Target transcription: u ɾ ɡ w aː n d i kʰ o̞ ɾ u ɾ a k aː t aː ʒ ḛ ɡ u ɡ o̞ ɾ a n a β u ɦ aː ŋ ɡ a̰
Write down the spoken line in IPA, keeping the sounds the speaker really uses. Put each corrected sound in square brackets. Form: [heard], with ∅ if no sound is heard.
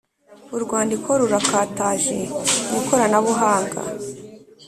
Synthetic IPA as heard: u ɾ ɡ w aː n d i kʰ o̞ ɾ u ɾ a k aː t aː ʒ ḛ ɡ u [k] o̞ ɾ a n a β u ɦ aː ŋ ɡ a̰